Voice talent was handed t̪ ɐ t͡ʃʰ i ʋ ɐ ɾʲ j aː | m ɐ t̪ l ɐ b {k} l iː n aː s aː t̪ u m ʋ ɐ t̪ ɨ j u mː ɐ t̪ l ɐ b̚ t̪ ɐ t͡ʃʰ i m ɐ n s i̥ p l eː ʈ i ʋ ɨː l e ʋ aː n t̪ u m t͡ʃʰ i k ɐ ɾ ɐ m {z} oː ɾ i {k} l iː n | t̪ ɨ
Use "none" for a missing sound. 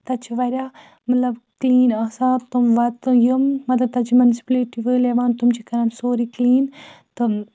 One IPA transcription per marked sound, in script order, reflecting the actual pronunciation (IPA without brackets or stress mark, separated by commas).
k, s, k